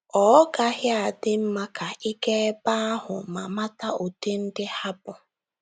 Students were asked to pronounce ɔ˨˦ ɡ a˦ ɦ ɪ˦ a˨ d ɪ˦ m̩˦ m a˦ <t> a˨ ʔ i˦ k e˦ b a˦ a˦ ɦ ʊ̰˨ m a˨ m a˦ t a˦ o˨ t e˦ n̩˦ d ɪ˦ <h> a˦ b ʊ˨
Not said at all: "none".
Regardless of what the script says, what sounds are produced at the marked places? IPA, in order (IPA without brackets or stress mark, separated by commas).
k, h